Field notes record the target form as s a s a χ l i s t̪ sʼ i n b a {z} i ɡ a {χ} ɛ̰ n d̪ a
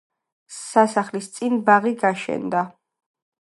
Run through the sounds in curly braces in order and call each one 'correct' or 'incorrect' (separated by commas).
incorrect, incorrect